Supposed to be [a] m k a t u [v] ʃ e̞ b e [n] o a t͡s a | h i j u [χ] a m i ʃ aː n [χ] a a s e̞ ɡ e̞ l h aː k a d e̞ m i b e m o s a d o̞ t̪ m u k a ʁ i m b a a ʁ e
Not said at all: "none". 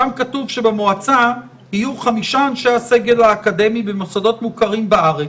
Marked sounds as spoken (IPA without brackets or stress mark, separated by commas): a, v, m, χ, ʃ